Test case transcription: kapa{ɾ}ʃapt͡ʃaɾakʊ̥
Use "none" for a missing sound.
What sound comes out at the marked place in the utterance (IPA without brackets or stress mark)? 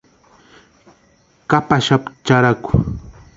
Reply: none